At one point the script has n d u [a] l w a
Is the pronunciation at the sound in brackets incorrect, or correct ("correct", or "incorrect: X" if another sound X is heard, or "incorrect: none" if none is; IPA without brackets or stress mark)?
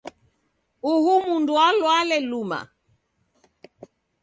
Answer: correct